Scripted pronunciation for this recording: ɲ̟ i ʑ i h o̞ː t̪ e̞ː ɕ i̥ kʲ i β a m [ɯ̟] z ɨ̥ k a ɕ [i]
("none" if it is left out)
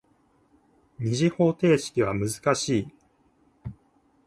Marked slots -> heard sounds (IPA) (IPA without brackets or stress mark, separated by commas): ɯ̟, iː